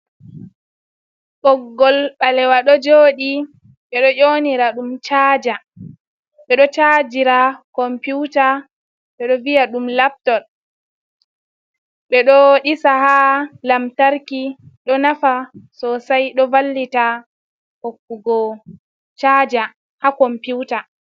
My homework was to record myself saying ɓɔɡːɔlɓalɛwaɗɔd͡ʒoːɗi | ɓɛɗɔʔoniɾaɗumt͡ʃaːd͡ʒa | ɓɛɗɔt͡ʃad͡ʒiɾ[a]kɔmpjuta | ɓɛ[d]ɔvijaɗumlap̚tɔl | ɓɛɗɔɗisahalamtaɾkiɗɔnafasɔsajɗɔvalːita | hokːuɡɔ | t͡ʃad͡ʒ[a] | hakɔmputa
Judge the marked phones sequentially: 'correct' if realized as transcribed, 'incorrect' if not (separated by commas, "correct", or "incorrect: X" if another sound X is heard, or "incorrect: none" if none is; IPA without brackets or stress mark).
correct, incorrect: ɗ, correct